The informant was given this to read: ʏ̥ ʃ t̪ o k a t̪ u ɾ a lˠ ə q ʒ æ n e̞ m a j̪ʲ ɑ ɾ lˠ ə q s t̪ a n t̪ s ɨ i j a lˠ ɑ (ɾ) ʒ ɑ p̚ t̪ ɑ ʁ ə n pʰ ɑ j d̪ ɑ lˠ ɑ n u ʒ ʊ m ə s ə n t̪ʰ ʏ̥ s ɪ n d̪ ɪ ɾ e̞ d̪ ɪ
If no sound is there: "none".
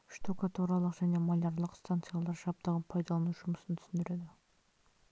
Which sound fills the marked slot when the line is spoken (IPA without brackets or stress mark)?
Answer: ɾ